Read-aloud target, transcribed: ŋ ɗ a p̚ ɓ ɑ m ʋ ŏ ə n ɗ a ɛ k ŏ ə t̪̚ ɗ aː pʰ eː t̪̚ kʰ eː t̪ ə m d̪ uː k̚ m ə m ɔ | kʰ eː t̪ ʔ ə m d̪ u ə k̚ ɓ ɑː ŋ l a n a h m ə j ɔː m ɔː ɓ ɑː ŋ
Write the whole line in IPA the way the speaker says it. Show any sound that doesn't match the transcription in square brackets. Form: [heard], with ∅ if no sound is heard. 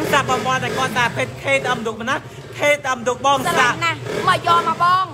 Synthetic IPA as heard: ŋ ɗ a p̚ ɓ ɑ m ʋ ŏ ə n ɗ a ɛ k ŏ ə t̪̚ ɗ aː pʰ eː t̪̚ kʰ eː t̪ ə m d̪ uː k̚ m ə [n] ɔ | kʰ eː t̪ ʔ ə m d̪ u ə k̚ ɓ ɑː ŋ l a n a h m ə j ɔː m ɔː ɓ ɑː ŋ